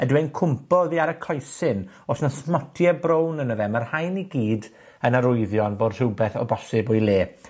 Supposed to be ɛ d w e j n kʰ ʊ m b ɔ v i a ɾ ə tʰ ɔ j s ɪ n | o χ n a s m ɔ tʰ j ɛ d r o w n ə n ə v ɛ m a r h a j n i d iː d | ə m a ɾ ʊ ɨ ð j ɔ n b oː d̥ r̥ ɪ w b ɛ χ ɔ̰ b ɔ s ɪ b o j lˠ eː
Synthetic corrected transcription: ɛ d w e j n kʰ ʊ m p ɔ ð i a ɾ ə kʰ ɔ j s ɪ n | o s n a s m ɔ tʰ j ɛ b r o w n ə n ə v ɛ m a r h a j n i ɡ iː d | ə n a ɾ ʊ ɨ ð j ɔ n b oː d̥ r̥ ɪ w b ɛ θ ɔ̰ b ɔ s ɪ b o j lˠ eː